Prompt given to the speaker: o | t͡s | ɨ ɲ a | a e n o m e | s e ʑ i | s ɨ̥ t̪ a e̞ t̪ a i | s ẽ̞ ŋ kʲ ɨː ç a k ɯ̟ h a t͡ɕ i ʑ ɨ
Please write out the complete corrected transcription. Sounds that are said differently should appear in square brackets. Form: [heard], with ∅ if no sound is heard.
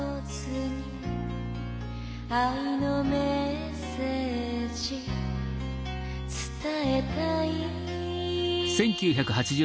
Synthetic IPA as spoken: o | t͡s | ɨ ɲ [i] | a [i] n o m e | s e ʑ i | [t͡s] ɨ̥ t̪ a e̞ t̪ a i | s ẽ̞ ŋ kʲ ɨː ç a k ɯ̟ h a t͡ɕ i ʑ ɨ